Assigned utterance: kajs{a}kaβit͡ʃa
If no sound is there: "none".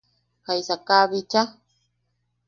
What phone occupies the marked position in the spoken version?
a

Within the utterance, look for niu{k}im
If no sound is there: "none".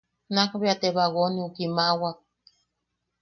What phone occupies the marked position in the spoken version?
k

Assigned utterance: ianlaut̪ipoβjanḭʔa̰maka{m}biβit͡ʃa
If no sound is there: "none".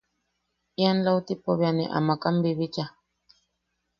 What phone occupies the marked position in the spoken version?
m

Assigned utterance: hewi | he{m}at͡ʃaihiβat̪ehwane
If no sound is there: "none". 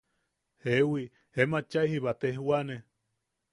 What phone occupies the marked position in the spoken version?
m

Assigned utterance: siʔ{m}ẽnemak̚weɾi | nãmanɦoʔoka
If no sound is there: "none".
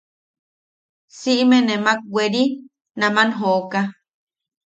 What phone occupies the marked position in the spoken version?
m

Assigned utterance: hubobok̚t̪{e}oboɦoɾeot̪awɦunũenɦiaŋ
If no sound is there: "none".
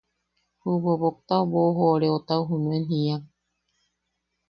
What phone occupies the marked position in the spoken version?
a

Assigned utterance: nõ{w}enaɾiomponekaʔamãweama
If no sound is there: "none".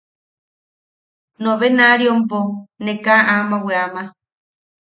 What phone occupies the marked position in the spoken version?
β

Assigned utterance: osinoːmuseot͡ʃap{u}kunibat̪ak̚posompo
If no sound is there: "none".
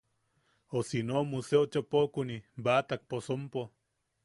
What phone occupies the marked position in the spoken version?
o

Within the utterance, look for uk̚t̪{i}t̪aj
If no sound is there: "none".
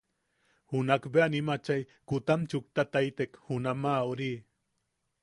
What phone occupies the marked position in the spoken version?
a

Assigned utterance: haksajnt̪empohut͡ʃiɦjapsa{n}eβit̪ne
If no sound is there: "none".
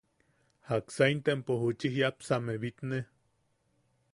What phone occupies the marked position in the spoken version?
m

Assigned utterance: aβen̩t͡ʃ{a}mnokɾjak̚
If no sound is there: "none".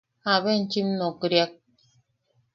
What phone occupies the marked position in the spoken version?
i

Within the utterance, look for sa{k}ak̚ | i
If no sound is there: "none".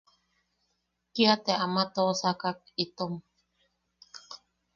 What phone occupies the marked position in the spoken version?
k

